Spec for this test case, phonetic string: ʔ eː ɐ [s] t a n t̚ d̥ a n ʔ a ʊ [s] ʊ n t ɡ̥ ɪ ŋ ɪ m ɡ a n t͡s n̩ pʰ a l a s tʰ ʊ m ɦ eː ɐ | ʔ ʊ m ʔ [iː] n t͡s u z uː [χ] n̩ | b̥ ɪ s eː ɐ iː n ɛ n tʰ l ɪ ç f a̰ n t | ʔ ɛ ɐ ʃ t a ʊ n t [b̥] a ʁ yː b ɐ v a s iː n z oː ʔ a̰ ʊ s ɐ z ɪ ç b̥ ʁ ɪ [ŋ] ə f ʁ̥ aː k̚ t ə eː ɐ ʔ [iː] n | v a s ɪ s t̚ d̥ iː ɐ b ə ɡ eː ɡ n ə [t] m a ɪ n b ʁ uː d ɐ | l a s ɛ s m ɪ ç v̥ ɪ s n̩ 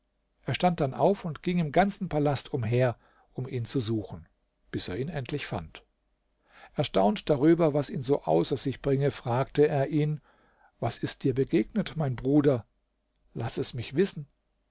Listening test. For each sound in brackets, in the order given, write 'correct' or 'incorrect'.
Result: incorrect, incorrect, correct, incorrect, incorrect, correct, correct, correct

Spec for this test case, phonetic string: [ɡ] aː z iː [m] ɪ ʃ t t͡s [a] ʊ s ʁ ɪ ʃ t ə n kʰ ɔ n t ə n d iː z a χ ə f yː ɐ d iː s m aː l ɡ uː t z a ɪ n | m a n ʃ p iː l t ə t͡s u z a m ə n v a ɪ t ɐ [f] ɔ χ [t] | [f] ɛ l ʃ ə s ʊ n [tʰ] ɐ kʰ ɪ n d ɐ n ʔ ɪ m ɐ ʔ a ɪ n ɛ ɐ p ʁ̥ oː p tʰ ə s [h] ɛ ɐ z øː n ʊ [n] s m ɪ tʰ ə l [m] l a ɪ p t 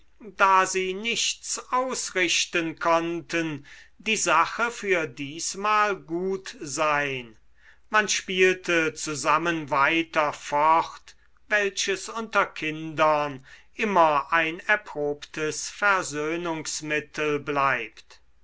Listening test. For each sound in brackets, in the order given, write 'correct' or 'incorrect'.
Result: incorrect, incorrect, correct, correct, correct, incorrect, incorrect, incorrect, incorrect, incorrect

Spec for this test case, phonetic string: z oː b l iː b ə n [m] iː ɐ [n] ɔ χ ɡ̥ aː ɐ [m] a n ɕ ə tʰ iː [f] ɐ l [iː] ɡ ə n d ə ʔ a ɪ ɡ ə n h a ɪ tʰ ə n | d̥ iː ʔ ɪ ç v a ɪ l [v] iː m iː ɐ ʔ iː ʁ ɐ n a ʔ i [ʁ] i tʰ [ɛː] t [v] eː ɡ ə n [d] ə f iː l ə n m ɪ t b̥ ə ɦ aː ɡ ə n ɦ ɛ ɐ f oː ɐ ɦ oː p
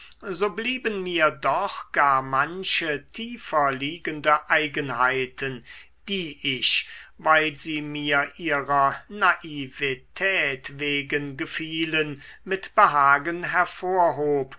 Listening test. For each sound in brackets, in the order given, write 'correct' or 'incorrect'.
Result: correct, incorrect, correct, correct, correct, incorrect, incorrect, correct, correct, incorrect

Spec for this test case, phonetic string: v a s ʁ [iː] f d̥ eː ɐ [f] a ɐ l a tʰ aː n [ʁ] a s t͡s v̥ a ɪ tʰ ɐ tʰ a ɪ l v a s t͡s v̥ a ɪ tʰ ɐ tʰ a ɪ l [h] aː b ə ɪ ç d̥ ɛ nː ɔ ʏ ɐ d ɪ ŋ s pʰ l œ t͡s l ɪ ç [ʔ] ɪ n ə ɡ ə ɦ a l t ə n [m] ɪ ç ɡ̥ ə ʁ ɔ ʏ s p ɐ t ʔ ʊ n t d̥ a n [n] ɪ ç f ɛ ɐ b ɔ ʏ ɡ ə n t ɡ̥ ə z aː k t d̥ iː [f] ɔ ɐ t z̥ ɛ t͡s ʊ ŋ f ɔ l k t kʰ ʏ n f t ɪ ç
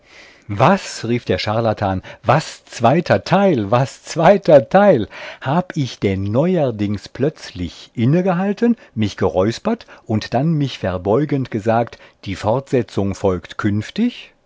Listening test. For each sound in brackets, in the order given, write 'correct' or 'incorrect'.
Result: correct, incorrect, incorrect, correct, correct, correct, incorrect, correct

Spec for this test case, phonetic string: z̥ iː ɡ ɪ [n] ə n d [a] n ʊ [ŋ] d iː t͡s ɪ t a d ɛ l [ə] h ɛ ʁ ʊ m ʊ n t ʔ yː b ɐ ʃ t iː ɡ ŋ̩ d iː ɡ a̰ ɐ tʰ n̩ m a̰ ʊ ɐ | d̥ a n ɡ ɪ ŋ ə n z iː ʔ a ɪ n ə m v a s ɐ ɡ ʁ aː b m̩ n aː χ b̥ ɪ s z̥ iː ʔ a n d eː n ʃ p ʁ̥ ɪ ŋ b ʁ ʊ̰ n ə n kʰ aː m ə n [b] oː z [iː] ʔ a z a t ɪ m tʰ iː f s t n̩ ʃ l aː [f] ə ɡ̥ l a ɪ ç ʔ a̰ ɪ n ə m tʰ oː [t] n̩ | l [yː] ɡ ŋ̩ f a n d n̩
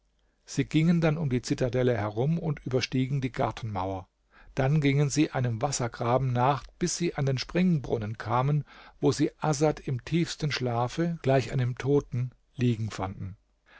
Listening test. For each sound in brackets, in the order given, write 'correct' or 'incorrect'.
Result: incorrect, correct, incorrect, correct, incorrect, correct, correct, correct, incorrect

